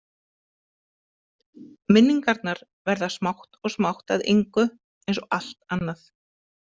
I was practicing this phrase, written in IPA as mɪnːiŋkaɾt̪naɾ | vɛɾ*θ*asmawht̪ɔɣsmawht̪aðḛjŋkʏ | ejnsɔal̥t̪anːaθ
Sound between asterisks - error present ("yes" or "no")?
yes